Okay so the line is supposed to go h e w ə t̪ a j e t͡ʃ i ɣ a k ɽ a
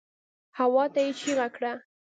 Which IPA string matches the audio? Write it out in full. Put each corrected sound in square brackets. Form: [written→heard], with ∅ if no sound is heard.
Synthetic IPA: h [e→a] w [ə→ɑ] t̪ a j e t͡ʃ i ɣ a k ɽ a

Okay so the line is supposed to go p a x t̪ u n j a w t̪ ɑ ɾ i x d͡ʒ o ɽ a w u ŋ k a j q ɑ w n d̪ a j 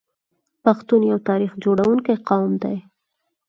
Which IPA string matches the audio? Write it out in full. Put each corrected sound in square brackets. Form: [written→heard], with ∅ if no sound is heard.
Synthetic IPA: p a x t̪ u n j a w t̪ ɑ ɾ i x d͡ʒ o ɽ a w u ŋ k a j q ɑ w [n→m] d̪ a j

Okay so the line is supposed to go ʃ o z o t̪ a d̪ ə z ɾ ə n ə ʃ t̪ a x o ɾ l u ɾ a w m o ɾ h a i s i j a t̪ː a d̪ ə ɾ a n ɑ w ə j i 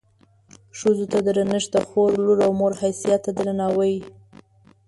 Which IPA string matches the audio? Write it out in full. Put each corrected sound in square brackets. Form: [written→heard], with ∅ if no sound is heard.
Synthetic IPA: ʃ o z o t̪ a d̪ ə [z→∅] ɾ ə n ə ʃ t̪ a x o ɾ l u ɾ a w m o ɾ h a [i→j] s i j a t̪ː a d̪ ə ɾ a n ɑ w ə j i

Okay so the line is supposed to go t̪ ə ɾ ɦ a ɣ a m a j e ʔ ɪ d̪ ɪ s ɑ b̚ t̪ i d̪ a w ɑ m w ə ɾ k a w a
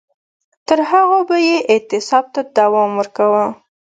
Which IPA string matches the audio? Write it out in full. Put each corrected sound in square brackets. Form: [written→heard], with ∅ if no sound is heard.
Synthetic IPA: t̪ ə ɾ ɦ a ɣ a [m→b] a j e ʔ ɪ [d̪→t̪] ɪ s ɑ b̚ t̪ [i→a] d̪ a w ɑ m w ə ɾ k a w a

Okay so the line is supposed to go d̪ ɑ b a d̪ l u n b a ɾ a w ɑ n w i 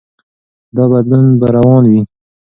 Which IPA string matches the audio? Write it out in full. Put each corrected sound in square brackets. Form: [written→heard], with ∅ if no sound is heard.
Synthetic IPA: d̪ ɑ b a d̪ l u n b a ɾ a w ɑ n w i

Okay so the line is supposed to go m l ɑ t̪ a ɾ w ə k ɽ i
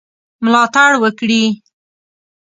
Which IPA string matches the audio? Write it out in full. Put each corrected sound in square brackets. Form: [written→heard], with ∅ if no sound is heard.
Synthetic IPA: m l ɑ t̪ a [ɾ→ɽ] w ə k ɽ i

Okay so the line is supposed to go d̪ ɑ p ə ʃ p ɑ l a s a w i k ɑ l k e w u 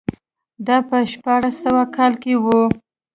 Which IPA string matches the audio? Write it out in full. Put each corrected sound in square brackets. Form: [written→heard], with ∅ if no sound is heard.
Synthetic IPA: d̪ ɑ p ə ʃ p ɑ [l→ɽ] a s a w [i→a] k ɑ l k e w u

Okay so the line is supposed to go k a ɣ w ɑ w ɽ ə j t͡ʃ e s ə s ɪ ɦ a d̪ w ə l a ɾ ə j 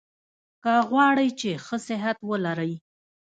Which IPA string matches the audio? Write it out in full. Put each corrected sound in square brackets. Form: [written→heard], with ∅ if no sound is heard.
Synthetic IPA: k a ɣ w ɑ [w→∅] ɽ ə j t͡ʃ e [s→x] ə s ɪ ɦ a [d̪→t̪] w ə l a ɾ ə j

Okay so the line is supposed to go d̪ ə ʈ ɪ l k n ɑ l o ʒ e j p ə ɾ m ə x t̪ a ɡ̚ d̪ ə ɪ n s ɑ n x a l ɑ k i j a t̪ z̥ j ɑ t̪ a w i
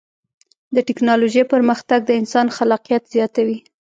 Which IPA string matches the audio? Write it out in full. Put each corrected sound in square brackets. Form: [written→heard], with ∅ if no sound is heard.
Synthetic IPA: d̪ ə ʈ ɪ [l→∅] k n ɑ l o ʒ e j p ə ɾ m ə x t̪ a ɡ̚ d̪ ə ɪ n s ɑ n x a l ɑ [k→q] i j a t̪ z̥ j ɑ t̪ a w i

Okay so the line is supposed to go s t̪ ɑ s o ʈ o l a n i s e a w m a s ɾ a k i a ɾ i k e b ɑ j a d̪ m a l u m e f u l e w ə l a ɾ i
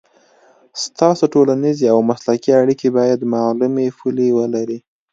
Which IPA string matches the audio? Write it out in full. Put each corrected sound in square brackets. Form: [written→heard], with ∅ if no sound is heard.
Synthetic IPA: s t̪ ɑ s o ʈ o l a n i [s→z] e a w m a s [ɾ→l] a k i a [ɾ→ɽ] i k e b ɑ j a d̪ m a l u m e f u l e w ə l a ɾ i

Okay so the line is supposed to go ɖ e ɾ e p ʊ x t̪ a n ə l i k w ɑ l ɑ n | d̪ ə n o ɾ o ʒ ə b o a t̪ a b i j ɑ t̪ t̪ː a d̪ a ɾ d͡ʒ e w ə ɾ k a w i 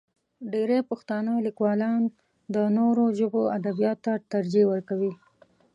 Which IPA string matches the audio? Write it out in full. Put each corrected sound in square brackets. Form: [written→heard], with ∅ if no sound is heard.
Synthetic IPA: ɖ e ɾ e p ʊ x t̪ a n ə l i k w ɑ l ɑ n | d̪ ə n o ɾ o ʒ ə b o a [t̪→d̪] a b i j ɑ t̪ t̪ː a [d̪→t̪] a ɾ d͡ʒ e w ə ɾ k a w i

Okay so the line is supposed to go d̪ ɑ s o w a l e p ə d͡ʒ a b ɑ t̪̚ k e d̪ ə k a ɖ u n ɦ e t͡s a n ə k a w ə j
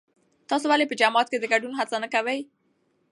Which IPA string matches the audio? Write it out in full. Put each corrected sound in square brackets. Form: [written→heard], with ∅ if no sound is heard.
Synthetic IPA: [d̪→t̪] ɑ s o w a l e p ə d͡ʒ a [b→m] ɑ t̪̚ k e d̪ ə [k→ɡ] a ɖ u n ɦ [e→a] t͡s a n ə k a w ə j

